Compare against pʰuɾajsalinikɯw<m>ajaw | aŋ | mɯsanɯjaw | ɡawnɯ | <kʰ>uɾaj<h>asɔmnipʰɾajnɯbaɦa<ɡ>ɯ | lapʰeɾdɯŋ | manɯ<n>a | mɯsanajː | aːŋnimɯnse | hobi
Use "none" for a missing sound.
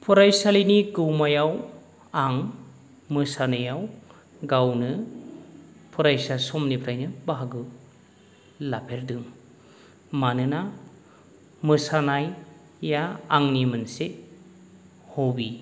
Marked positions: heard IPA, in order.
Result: m, pʰ, s, ɡ, n

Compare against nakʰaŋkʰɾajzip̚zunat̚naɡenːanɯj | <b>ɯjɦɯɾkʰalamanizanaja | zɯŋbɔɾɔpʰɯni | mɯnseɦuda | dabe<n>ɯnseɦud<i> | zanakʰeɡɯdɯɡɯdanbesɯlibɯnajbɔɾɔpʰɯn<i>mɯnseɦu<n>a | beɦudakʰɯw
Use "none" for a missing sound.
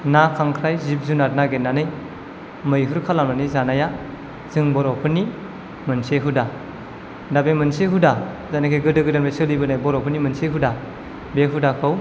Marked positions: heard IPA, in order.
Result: m, m, a, i, d

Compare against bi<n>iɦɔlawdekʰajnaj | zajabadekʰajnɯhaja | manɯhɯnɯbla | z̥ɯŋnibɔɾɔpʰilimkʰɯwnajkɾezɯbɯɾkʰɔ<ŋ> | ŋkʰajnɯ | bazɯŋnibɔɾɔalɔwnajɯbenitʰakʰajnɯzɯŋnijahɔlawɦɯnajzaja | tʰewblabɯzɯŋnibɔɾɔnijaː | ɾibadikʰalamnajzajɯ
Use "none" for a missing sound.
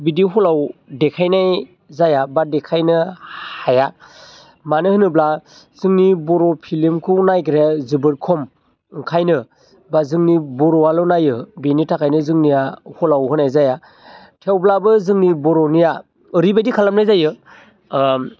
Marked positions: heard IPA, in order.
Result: d, m

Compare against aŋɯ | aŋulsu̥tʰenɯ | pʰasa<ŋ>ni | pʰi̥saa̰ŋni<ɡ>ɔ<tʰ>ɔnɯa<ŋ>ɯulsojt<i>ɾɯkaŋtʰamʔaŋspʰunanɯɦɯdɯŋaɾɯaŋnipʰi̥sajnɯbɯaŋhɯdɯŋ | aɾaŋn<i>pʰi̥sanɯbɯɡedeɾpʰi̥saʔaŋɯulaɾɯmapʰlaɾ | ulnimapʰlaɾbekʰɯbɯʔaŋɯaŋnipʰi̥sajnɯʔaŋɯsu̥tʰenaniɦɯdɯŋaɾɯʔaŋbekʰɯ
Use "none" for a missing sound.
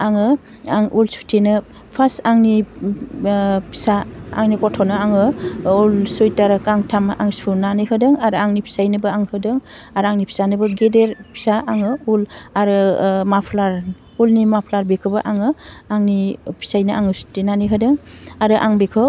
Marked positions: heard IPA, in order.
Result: ŋ, k, tʰ, ŋ, a, i

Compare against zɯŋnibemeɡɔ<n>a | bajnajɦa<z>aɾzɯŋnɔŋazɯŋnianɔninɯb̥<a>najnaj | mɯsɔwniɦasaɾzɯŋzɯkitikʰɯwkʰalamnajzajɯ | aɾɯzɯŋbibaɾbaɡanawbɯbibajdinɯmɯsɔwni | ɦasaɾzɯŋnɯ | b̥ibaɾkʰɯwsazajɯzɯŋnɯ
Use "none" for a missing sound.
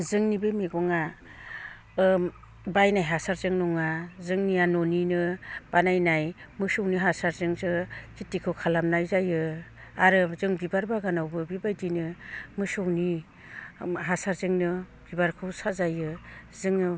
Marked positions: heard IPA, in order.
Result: ŋ, s, a

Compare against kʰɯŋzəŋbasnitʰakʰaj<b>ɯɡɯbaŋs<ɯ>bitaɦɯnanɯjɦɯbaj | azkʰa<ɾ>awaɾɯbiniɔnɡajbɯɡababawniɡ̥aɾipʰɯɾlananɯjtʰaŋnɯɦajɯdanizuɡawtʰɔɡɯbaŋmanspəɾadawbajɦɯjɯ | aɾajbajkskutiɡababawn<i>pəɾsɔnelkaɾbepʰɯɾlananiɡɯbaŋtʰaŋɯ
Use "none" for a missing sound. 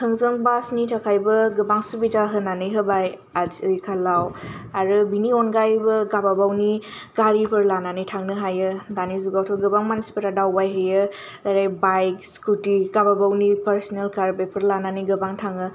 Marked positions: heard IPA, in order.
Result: b, u, l, i

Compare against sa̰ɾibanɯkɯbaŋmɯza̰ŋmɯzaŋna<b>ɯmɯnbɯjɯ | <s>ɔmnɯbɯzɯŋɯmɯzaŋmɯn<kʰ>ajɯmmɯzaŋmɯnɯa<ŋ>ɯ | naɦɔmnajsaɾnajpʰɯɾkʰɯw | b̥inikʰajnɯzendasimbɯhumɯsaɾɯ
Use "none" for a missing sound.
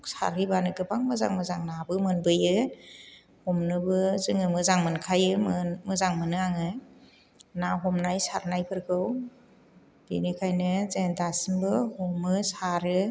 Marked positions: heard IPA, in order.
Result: b, h, kʰ, ŋ

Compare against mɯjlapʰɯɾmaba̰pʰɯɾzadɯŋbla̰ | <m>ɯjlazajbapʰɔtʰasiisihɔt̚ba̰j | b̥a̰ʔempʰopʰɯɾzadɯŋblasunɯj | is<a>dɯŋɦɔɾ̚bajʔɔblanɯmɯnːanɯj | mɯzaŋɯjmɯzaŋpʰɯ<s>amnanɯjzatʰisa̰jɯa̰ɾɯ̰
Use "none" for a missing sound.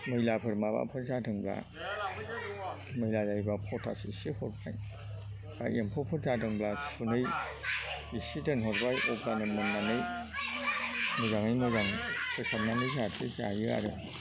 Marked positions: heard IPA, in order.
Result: m, i, s

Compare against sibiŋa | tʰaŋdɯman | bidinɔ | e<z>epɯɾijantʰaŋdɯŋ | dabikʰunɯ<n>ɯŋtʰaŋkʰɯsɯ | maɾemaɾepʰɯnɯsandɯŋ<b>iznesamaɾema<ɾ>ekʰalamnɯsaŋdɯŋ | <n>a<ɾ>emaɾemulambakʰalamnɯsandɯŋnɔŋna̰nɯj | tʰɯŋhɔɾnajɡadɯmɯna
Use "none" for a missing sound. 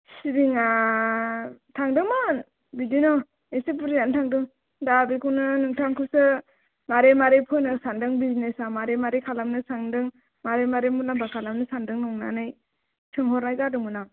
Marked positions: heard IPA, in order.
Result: s, n, b, ɾ, m, ɾ

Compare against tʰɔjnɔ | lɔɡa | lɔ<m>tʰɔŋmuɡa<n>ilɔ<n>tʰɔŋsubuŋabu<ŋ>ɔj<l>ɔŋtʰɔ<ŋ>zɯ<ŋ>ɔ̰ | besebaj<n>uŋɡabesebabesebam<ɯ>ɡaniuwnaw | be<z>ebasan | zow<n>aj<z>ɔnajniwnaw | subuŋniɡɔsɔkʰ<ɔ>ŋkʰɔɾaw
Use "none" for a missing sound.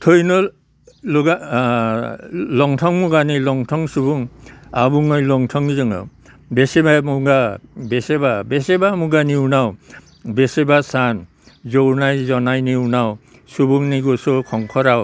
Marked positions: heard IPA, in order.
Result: ŋ, n, ŋ, ŋ, l, ŋ, ŋ, m, u, s, n, z, ɔ

